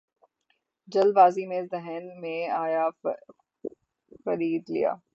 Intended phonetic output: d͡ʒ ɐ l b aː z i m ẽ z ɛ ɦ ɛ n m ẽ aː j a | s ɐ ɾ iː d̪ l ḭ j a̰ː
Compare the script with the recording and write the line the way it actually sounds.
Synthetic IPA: d͡ʒ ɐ l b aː z i m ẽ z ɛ ɦ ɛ n m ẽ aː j a | x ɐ ɾ iː d̪ l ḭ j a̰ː